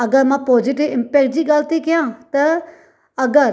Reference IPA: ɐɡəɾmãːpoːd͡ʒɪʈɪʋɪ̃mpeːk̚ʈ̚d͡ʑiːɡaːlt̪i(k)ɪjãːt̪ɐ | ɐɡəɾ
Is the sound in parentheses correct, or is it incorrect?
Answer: correct